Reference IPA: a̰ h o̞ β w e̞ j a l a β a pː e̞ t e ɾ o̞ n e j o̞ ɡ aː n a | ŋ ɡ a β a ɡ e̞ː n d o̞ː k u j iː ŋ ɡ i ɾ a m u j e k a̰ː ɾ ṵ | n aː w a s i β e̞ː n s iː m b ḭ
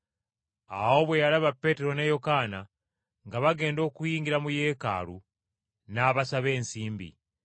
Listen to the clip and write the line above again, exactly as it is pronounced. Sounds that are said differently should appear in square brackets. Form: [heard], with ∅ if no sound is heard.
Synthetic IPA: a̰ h o̞ β w e̞ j a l a β a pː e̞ t e ɾ o̞ n e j o̞ [k] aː n a | ŋ ɡ a β a ɡ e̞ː n d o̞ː k u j iː ŋ ɡ i ɾ a m u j e k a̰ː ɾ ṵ | n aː [β] a s [a] β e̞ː n s iː m b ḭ